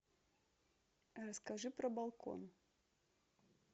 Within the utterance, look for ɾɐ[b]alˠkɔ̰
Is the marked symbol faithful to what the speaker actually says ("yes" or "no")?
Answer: yes